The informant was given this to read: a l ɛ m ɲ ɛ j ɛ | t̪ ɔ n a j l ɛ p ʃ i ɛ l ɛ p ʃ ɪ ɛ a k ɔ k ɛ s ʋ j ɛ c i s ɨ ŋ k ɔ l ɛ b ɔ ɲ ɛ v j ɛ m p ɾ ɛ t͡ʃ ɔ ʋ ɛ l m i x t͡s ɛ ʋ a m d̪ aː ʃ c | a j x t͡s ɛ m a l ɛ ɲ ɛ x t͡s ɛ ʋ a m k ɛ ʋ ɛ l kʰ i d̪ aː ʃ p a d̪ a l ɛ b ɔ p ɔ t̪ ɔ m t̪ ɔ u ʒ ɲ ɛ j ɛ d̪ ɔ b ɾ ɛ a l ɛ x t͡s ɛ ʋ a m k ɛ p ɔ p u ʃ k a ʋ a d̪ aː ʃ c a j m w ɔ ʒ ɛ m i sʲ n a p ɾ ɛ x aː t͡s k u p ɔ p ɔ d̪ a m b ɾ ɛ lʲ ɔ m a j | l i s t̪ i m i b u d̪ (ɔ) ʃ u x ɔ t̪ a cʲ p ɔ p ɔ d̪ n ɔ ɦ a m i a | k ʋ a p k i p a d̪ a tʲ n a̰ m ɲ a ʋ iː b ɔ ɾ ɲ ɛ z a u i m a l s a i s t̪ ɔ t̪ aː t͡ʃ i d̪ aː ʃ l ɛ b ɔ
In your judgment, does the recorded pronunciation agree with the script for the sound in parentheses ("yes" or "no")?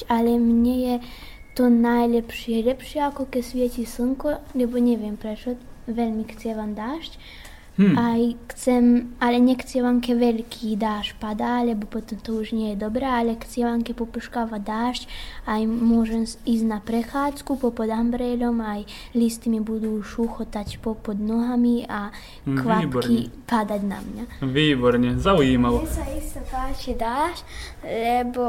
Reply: no